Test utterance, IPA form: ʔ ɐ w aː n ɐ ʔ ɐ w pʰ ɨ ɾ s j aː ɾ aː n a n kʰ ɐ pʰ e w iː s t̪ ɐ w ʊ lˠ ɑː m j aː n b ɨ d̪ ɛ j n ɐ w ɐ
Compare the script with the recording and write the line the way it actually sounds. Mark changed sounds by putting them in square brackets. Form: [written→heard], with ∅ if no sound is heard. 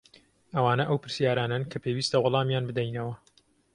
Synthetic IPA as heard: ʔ ɐ w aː n ɐ ʔ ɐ w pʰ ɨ ɾ s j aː ɾ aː n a n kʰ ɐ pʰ e w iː s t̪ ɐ w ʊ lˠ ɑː m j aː n b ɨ d̪ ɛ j n ɐ w ɐ